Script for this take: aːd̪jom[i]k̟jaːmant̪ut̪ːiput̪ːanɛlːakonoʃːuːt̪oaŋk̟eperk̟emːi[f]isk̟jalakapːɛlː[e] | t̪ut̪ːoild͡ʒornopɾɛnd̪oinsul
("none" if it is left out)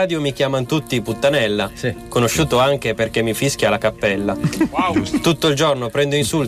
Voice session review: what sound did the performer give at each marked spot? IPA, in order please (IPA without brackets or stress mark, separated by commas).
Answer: i, f, a